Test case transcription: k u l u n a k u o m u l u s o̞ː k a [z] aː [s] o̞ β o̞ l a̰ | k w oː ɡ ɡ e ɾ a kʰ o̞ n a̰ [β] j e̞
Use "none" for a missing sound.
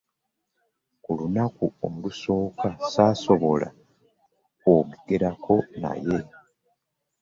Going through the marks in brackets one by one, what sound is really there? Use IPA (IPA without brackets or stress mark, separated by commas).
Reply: s, s, none